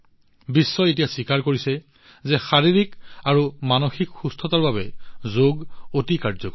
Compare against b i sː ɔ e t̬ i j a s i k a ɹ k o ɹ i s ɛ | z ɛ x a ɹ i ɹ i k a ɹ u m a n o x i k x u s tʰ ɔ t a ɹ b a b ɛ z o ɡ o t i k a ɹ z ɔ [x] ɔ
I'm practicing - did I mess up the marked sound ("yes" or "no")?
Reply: yes